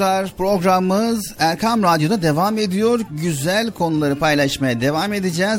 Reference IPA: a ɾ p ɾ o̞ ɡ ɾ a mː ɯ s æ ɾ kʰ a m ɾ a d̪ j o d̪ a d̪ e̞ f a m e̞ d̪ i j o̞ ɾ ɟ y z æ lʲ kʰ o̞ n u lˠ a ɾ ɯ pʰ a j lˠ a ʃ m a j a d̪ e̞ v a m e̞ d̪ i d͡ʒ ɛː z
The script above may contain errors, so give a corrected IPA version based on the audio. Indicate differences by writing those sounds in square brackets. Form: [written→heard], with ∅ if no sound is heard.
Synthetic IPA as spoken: a ɾ p ɾ o̞ ɡ ɾ a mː ɯ [s→z] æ ɾ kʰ a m ɾ a d̪ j o d̪ a d̪ e̞ [f→v] a m e̞ d̪ i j o̞ ɾ ɟ y z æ lʲ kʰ o̞ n u lˠ a ɾ ɯ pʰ a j lˠ a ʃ m a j a d̪ e̞ v a m e̞ d̪ i d͡ʒ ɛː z